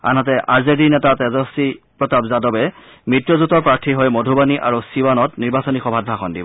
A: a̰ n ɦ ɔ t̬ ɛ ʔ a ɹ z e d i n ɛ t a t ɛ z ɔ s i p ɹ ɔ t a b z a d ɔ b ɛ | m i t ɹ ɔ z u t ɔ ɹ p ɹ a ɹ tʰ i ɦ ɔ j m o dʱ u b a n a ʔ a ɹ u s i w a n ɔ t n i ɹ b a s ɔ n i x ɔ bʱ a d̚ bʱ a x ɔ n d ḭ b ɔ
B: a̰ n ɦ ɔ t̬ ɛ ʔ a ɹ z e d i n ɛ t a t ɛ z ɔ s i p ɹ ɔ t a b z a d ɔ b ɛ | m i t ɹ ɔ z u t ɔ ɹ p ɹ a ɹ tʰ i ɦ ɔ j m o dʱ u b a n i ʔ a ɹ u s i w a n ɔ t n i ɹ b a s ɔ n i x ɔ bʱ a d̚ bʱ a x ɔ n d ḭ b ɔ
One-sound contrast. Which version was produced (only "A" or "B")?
B